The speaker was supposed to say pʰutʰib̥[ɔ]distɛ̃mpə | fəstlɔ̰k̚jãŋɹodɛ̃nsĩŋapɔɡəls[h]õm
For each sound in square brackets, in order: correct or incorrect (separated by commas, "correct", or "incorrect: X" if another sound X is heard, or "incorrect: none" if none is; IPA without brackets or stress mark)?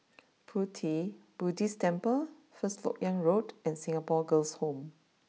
incorrect: u, correct